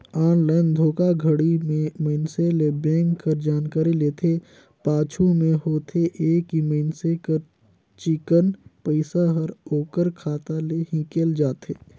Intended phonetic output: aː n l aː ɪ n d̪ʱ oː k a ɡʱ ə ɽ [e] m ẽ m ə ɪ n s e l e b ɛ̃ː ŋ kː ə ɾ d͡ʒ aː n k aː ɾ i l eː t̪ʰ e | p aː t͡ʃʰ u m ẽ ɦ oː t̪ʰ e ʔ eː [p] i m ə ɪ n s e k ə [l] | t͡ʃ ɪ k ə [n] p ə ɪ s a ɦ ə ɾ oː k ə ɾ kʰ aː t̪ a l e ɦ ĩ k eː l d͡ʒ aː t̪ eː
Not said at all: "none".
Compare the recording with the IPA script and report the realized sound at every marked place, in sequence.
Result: i, k, ɾ, n

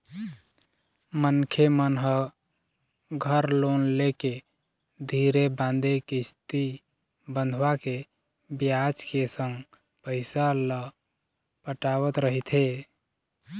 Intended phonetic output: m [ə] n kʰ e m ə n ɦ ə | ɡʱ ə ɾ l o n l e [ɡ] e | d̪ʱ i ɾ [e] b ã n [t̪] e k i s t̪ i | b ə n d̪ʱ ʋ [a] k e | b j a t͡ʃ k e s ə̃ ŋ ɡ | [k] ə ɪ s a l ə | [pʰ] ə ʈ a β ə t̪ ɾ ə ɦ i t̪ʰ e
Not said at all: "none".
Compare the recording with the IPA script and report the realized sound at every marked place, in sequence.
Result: ə, k, e, d̪, a, p, p

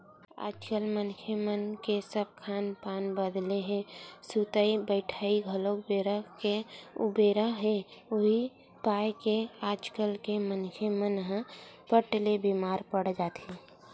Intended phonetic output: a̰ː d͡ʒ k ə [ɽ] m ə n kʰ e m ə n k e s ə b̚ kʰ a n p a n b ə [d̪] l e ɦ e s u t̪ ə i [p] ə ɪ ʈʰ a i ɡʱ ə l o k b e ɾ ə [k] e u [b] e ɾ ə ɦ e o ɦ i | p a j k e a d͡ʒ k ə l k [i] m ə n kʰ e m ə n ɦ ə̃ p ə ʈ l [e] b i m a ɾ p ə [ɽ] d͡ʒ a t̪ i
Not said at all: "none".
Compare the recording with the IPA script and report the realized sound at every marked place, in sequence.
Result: l, d̪, b, k, b, e, e, ɽ

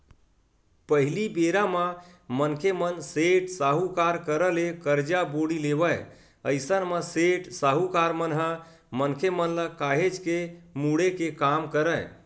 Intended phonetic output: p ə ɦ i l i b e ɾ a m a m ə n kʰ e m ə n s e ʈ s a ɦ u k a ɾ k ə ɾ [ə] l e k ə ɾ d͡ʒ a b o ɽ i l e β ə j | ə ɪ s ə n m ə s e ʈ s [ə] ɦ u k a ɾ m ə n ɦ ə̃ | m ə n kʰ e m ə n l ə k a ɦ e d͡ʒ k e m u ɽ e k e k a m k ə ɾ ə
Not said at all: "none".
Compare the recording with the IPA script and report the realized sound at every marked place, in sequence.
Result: ə, a

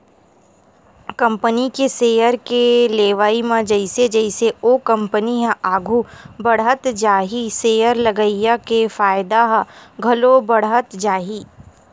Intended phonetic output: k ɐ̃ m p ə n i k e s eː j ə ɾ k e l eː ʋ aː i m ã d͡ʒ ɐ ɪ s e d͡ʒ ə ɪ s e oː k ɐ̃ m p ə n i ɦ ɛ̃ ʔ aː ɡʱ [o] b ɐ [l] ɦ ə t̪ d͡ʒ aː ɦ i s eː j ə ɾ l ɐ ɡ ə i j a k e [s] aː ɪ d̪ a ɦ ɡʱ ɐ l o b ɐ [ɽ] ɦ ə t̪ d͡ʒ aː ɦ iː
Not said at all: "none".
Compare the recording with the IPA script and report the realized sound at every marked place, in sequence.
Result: u, ɽ, f, ɽ

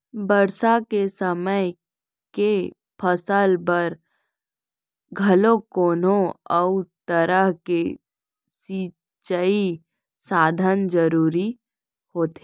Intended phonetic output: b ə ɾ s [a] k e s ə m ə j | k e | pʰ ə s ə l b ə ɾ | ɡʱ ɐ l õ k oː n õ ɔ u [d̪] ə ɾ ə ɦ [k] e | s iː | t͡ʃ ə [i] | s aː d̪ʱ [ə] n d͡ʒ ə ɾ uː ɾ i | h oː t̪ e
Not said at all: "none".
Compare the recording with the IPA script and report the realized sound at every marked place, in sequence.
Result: a, t̪, k, i, ə

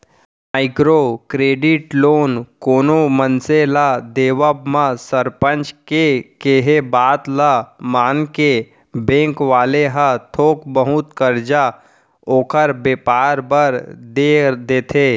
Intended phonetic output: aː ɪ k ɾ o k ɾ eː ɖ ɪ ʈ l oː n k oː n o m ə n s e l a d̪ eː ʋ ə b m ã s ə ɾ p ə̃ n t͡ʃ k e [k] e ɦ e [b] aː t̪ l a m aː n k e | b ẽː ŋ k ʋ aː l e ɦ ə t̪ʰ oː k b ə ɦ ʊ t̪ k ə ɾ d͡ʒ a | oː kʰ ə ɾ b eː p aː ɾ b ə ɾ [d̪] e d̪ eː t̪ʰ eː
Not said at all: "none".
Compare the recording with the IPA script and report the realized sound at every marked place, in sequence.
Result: k, b, d̪

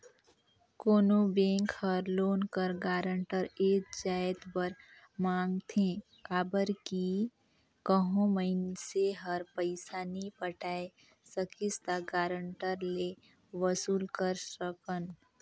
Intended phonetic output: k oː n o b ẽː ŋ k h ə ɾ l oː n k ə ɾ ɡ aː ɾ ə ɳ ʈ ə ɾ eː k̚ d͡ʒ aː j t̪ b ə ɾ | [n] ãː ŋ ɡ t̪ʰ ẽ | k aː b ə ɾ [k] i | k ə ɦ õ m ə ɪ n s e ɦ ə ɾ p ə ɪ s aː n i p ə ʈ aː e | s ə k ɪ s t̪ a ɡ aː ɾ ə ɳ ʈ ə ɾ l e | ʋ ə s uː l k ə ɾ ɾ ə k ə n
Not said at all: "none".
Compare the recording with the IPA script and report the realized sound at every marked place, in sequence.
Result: m, k

